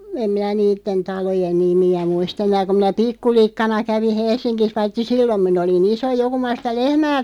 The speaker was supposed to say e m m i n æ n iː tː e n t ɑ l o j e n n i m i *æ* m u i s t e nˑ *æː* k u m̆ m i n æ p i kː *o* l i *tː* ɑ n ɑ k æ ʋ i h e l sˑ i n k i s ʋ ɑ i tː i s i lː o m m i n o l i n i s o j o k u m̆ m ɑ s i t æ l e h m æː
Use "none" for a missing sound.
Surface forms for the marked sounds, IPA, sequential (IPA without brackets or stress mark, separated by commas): æ, æː, u, kː